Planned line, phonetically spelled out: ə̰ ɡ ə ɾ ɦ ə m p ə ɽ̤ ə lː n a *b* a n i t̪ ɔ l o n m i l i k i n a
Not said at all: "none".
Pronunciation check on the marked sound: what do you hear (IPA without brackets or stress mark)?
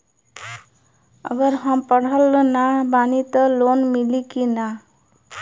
b